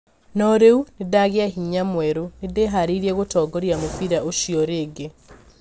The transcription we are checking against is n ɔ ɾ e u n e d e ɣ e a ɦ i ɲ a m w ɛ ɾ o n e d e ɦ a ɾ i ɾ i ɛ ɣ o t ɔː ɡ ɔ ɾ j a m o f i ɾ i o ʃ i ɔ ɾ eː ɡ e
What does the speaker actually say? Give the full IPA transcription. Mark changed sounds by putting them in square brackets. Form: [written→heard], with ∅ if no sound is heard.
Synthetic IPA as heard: n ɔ ɾ e u n e d [e→a] ɣ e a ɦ i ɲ a m w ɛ ɾ o n e d e ɦ a ɾ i ɾ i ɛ ɣ o t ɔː ɡ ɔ ɾ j a m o f i ɾ [i→a] o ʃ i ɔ ɾ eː ɡ e